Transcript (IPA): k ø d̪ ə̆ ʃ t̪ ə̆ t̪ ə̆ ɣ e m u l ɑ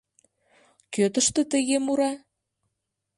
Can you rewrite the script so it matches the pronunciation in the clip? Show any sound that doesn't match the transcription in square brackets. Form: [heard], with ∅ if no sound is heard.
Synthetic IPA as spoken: k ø [t̪] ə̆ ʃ t̪ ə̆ t̪ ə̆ ɣ e m u [ɾ] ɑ